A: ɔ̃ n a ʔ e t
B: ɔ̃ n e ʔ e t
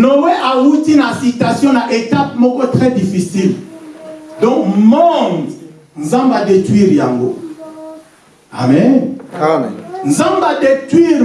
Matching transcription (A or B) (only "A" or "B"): A